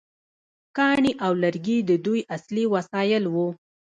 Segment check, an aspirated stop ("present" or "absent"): absent